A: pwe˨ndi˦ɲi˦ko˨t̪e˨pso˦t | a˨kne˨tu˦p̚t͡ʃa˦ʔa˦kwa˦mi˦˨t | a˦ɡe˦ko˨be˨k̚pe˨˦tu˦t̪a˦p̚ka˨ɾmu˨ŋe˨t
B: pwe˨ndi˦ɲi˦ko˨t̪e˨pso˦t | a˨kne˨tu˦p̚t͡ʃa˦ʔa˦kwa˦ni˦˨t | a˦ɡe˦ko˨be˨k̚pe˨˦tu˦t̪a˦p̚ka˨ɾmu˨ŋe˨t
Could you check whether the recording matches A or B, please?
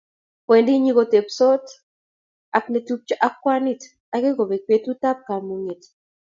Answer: B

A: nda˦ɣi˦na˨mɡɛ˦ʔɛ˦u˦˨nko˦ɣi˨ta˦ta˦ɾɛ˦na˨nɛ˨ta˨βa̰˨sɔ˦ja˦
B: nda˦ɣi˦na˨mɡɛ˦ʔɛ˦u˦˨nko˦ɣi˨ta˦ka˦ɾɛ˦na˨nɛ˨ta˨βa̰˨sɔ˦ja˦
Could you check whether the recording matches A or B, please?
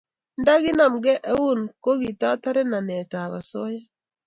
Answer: A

